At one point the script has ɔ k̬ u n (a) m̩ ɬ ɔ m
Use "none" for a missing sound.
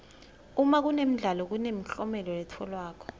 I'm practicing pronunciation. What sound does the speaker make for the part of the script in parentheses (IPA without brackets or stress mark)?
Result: e